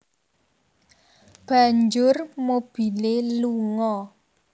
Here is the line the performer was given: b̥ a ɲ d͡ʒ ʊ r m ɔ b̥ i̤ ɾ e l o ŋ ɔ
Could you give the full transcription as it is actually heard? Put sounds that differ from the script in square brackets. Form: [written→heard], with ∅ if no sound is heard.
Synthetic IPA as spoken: b̥ a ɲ d͡ʒ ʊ r m [ɔ→o] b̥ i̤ [ɾ→l] e l [o→u] ŋ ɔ